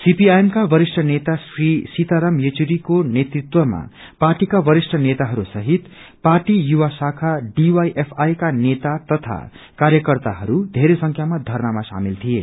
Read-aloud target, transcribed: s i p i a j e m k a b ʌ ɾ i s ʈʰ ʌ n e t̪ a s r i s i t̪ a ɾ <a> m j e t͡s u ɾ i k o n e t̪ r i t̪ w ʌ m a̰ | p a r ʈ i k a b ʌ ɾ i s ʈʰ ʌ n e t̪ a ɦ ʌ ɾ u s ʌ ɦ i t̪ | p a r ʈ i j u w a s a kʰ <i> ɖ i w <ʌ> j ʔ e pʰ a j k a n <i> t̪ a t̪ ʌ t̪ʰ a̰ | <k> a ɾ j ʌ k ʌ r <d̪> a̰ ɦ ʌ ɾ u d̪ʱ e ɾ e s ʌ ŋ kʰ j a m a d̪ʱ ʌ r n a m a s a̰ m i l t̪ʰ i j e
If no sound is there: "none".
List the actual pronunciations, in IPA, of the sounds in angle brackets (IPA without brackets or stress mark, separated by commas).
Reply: ʌ, a, a, e, k, t̪